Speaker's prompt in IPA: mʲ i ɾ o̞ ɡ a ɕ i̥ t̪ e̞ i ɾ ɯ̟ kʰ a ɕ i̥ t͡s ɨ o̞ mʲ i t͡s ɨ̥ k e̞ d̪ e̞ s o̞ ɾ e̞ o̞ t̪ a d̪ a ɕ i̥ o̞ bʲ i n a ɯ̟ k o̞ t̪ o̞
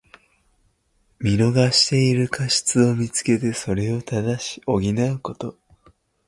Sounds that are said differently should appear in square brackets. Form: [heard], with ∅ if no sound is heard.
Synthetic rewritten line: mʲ i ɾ o̞ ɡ a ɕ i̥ t̪ e̞ i ɾ ɯ̟ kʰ a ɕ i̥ t͡s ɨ o̞ mʲ i t͡s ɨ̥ k e̞ [t̪] e̞ s o̞ ɾ e̞ o̞ t̪ a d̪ a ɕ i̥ o̞ [ɡʲ] i n a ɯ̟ k o̞ t̪ o̞